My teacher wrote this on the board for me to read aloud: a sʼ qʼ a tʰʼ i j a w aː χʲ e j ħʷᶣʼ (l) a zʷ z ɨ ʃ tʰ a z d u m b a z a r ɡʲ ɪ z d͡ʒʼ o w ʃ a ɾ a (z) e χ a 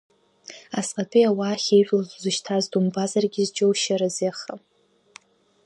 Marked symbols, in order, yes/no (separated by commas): yes, yes